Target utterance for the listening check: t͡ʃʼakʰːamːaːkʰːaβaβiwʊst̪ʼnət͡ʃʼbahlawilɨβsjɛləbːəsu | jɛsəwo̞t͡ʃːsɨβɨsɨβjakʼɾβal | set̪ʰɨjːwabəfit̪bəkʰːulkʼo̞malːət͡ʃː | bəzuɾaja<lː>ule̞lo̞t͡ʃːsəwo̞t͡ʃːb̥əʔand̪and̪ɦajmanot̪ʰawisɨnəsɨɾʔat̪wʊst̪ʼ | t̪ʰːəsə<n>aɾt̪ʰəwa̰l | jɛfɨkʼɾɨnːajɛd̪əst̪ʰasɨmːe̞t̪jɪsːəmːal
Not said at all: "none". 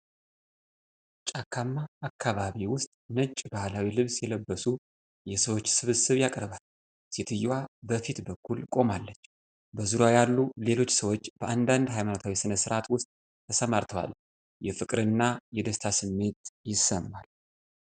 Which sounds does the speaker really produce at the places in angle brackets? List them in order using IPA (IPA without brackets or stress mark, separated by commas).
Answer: lː, m